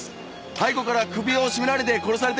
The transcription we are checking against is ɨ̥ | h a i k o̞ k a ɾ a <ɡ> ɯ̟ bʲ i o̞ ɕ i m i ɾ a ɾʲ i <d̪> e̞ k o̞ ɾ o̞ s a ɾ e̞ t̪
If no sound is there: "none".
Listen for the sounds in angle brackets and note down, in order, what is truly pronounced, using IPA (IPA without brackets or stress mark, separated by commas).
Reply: k, d̪